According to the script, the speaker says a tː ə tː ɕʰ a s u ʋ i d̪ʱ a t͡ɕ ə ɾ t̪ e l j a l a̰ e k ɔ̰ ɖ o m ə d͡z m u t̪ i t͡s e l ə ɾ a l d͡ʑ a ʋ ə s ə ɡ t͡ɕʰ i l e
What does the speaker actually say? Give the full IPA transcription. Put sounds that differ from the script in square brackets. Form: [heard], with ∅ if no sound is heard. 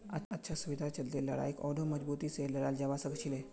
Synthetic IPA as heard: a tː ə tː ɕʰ a s u ʋ i d̪ʱ a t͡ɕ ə [l] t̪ e l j a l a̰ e k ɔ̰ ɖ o m ə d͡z [b] u t̪ i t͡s e l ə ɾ a l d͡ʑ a ʋ [a] s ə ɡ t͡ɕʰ i l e